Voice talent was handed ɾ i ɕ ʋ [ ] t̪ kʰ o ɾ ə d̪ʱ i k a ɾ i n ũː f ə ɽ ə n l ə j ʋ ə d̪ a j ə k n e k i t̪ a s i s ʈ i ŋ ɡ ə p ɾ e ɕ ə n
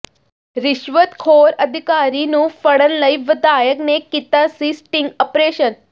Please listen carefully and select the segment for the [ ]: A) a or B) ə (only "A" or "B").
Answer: B